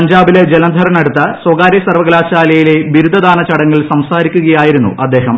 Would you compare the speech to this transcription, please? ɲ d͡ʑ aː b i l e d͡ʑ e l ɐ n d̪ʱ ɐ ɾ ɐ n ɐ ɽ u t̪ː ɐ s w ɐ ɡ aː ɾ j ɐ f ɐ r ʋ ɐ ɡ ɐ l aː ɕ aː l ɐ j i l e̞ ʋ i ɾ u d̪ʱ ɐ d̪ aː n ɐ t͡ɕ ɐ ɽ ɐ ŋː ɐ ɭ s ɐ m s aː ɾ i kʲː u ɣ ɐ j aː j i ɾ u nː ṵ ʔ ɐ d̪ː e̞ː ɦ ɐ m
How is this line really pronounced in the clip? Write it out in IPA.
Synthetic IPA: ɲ d͡ʑ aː b i l e d͡ʑ e l ɐ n d̪ʱ ɐ ɾ ɐ n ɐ ɽ u t̪ː ɐ s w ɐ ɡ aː ɾ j ɐ s ɐ r ʋ ɐ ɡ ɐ l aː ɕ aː l ɐ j i l e̞ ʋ i ɾ u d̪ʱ ɐ d̪ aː n ɐ t͡ɕ ɐ ɽ ɐ ŋː ɐ ɭ s ɐ m s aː ɾ i kʲː u ɣ ɐ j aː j i ɾ u nː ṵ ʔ ɐ d̪ː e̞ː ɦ ɐ m